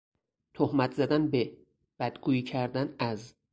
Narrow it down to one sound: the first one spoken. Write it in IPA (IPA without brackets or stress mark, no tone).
t̪ʰ